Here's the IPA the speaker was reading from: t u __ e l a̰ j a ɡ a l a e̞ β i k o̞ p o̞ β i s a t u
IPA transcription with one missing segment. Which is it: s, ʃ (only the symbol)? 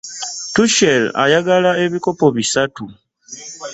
ʃ